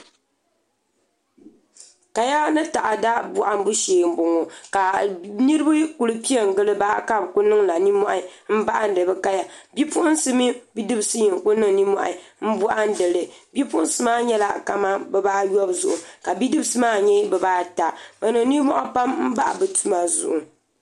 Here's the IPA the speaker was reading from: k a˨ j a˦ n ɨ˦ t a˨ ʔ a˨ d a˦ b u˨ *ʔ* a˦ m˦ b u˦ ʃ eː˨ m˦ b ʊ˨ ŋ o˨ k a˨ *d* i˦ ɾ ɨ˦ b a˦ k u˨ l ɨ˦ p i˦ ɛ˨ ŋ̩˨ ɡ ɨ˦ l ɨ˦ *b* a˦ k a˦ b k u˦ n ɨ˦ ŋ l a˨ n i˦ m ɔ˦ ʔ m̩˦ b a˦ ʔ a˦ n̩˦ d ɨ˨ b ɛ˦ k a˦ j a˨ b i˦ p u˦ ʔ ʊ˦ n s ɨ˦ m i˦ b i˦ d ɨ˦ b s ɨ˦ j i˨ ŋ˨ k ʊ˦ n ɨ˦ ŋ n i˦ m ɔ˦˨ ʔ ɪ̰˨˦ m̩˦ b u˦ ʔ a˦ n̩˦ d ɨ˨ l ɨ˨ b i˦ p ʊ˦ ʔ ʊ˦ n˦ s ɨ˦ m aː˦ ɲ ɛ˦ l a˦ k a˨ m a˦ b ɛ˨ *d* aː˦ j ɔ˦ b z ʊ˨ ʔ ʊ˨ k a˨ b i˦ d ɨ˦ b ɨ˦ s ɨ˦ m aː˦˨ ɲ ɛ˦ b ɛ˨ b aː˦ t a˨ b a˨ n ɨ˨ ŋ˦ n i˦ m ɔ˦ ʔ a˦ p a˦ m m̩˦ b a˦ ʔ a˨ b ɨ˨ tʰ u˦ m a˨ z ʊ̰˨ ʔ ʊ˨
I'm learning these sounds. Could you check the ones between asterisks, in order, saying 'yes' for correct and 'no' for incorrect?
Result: yes, no, yes, no

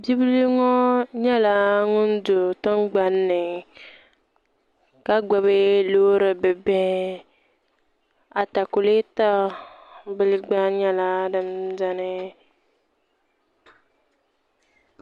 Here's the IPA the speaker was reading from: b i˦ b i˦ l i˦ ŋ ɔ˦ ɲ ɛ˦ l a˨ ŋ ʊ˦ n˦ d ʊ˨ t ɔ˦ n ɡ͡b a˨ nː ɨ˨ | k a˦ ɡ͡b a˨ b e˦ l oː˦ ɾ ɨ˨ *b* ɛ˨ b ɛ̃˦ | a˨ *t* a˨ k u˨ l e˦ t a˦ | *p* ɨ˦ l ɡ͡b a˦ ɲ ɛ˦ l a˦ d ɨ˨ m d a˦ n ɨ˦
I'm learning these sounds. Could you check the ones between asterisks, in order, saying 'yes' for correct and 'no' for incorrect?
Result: yes, yes, no

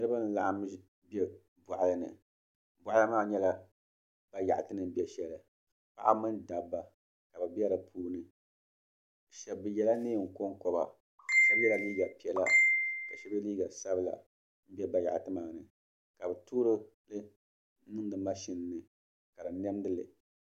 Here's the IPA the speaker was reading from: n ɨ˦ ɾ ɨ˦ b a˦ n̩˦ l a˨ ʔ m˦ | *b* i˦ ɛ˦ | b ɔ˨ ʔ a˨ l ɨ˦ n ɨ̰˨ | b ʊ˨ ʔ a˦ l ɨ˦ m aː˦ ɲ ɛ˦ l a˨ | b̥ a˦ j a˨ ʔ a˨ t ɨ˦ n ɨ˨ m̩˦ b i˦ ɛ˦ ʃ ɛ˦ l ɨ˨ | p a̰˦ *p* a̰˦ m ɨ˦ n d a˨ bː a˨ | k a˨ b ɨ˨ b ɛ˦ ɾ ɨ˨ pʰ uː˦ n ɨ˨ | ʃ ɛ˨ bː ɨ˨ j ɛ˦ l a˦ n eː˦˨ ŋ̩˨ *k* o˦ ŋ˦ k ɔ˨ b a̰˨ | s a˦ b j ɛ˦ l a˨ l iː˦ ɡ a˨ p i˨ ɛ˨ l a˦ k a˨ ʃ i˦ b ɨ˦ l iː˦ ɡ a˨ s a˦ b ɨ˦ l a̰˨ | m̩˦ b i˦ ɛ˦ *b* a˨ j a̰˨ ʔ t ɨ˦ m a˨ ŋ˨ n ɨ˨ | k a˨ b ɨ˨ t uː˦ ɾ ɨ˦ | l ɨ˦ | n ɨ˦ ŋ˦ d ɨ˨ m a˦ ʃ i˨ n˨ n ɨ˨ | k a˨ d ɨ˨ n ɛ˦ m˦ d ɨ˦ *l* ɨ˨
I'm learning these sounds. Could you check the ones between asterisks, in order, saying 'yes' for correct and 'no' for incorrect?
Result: yes, no, yes, yes, yes

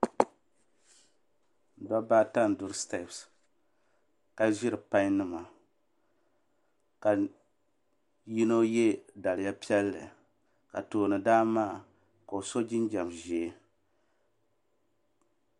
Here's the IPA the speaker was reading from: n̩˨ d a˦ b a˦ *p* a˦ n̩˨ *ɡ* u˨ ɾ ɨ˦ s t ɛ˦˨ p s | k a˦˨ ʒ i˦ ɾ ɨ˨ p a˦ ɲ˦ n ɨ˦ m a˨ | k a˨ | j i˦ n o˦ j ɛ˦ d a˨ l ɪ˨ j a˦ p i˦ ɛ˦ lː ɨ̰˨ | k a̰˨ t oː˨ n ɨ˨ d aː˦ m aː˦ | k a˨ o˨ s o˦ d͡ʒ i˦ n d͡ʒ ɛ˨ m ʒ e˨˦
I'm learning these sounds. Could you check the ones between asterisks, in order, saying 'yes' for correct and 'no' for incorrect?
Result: no, no

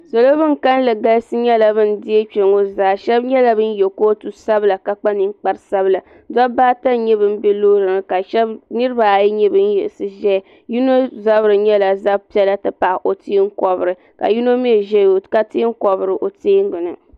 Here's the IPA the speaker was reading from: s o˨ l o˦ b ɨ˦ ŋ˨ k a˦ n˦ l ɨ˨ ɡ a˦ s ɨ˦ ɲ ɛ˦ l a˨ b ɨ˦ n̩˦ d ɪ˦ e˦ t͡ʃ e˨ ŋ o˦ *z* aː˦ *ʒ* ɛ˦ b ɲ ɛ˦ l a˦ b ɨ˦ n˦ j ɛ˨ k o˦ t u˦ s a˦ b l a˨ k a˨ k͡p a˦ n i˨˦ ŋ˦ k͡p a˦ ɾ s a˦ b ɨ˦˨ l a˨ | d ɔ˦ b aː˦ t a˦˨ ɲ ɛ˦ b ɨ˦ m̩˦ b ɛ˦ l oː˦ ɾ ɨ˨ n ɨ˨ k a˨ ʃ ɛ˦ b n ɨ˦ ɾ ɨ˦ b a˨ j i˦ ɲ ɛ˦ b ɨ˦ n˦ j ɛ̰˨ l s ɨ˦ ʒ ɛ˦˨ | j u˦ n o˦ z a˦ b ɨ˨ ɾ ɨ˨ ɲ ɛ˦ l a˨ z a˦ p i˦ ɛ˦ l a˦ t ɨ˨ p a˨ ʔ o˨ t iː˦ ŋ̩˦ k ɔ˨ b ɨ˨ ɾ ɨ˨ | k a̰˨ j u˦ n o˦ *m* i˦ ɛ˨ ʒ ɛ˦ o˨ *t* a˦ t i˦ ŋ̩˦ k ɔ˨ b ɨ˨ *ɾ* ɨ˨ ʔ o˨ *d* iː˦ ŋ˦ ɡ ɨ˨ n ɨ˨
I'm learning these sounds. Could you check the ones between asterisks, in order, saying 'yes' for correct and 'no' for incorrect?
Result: yes, no, yes, no, yes, no

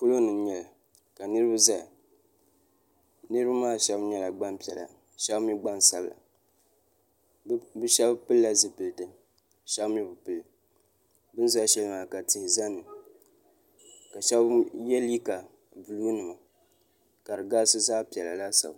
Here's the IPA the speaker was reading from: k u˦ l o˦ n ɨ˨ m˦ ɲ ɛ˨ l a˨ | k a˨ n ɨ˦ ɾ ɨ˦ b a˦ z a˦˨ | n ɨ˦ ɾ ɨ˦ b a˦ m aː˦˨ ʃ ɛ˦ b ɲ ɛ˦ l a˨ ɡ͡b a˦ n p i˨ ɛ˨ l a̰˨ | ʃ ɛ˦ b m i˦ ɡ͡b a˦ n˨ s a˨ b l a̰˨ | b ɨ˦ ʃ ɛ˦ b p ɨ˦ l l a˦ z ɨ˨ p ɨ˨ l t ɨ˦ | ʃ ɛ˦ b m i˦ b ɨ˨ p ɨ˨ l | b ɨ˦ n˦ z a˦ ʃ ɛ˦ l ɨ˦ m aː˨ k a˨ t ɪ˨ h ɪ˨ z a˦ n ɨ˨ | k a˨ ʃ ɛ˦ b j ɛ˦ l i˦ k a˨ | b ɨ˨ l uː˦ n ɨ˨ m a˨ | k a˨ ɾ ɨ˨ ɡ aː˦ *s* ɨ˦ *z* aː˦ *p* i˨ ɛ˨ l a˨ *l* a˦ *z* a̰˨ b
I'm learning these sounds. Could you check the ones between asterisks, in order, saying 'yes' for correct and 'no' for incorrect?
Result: yes, yes, yes, yes, no

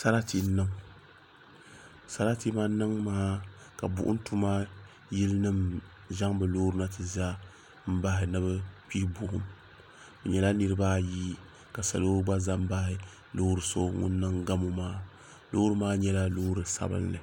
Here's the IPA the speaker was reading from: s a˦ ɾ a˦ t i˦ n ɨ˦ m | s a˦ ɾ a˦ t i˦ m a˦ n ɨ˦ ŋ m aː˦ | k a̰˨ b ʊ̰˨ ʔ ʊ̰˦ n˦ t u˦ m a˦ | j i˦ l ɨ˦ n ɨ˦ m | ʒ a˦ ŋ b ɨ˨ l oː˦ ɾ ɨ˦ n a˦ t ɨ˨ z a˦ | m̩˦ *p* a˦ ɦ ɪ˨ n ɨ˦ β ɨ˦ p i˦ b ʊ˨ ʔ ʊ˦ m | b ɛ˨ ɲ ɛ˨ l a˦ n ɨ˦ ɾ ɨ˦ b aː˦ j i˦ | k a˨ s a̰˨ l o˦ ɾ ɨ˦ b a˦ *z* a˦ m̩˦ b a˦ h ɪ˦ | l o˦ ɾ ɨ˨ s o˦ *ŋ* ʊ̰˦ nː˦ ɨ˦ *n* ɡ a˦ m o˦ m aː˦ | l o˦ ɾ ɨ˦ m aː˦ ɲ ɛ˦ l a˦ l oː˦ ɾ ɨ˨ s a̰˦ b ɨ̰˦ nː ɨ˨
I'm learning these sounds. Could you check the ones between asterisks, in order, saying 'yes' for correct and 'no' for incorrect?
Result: no, yes, yes, no

